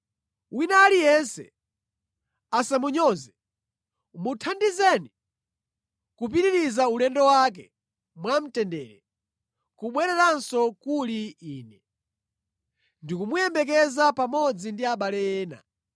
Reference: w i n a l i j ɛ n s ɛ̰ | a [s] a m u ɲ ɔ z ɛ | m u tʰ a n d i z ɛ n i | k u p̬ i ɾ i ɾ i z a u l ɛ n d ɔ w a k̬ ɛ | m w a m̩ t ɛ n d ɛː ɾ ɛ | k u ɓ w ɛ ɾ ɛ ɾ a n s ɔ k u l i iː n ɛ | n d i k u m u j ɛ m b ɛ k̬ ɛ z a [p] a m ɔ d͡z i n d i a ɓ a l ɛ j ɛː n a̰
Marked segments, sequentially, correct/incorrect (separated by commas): correct, correct